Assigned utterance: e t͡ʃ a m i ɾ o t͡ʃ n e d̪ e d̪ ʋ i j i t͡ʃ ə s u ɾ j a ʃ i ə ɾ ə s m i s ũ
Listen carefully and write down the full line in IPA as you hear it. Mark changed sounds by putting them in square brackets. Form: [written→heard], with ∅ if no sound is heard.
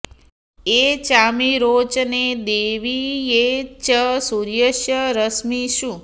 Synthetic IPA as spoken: e t͡ʃ a m i ɾ o t͡ʃ n e d̪ e [d̪→∅] ʋ i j [i→e] t͡ʃ ə s u ɾ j [a→ə] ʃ [i→j] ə ɾ ə s m i [s→ʃ] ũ